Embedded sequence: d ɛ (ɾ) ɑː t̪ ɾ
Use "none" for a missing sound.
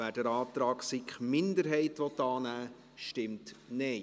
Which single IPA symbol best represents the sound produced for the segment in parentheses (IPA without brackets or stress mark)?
ɾ